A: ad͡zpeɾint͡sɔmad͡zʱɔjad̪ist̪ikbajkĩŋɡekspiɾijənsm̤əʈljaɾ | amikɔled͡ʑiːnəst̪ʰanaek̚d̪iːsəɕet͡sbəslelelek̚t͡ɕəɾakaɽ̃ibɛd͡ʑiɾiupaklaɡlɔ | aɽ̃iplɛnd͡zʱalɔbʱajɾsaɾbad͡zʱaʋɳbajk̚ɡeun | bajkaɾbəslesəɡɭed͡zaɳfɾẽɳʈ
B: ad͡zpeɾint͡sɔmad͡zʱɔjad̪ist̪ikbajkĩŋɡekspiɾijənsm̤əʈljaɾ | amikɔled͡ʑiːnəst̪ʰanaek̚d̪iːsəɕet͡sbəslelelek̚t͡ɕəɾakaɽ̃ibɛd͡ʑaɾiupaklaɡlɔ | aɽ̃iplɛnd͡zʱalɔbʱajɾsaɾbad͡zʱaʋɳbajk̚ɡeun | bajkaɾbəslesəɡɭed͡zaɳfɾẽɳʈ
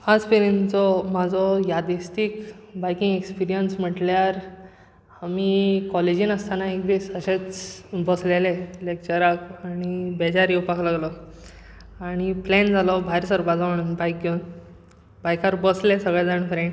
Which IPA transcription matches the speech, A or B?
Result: B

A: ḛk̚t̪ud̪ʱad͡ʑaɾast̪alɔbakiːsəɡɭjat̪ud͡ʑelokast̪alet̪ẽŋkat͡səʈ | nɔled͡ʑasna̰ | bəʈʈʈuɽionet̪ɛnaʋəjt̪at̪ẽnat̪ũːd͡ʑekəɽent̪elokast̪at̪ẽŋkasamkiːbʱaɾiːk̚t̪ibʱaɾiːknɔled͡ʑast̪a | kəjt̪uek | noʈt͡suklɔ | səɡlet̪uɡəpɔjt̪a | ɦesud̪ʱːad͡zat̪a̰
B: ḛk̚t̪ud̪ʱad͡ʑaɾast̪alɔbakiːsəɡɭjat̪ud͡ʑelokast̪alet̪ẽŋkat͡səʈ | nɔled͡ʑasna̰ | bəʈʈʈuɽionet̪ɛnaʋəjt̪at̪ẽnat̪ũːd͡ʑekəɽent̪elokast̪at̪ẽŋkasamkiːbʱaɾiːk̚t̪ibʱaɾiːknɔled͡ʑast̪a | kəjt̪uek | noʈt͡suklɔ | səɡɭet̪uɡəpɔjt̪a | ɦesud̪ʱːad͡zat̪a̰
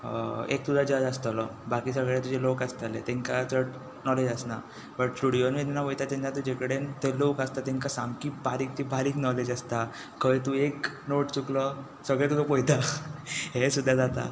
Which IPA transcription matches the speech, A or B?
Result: B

